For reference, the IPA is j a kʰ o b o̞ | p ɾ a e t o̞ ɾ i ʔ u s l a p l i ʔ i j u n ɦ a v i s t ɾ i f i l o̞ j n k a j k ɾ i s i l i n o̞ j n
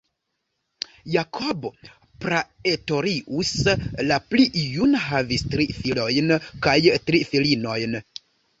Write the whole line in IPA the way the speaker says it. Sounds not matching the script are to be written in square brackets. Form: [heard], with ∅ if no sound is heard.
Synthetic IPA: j a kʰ o b o̞ | p ɾ a e t o̞ ɾ i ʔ u s l a p l i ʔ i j u n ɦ a v i s t ɾ i f i l o̞ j n k a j [t] ɾ i [f] i l i n o̞ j n